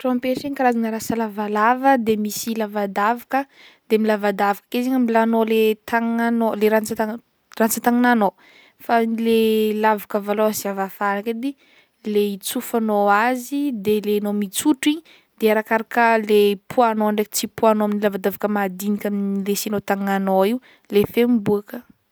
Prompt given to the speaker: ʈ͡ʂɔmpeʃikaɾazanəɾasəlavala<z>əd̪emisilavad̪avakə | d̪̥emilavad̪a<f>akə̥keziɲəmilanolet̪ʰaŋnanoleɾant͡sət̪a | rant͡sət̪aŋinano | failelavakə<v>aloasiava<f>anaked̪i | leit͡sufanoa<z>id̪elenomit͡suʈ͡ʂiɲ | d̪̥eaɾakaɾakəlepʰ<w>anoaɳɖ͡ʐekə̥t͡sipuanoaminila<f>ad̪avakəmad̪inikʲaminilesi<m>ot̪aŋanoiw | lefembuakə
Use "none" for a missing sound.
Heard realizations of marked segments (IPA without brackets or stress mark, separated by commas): v, v, v, f, z, u, v, n